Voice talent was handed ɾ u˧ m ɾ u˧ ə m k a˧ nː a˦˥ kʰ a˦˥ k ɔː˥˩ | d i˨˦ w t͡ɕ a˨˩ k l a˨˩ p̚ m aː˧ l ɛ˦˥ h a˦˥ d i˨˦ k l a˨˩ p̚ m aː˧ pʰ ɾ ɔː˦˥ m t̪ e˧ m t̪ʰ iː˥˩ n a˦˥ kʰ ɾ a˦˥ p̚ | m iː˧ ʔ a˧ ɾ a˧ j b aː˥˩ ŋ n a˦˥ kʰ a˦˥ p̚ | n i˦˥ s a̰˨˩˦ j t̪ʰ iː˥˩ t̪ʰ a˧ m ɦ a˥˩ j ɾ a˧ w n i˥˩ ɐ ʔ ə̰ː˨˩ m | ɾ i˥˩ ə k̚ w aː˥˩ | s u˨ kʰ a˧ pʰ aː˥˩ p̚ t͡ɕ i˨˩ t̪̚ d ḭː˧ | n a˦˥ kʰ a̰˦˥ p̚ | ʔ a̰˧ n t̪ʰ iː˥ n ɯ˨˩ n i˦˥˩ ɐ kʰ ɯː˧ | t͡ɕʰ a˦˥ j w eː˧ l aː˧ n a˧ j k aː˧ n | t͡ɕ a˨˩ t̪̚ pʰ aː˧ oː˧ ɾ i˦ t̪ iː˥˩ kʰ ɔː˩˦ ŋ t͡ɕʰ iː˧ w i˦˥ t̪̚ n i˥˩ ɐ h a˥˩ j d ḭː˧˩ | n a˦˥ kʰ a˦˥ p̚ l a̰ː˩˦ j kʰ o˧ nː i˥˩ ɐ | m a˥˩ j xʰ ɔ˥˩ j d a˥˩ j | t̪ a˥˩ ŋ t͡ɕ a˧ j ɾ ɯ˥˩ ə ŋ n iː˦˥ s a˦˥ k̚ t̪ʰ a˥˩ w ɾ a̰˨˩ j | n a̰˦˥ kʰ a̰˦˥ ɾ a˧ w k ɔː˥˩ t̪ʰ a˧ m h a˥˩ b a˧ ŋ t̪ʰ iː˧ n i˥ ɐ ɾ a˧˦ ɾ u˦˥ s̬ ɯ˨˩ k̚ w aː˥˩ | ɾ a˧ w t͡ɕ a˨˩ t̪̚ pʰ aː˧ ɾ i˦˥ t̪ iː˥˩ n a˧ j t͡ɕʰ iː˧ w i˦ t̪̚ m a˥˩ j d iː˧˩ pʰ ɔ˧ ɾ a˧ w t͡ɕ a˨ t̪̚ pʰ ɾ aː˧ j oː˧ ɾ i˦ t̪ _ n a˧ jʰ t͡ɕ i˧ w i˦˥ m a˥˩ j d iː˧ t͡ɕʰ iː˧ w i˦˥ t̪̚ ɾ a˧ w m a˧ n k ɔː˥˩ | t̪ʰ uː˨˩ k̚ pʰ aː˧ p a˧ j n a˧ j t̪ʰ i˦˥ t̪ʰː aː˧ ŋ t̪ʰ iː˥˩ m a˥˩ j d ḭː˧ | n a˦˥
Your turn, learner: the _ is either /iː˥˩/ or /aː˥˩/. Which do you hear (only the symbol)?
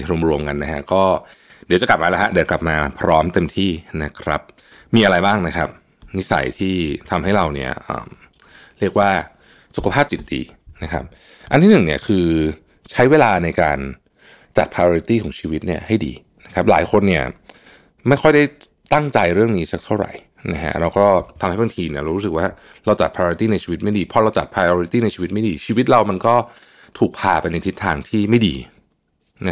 iː˥˩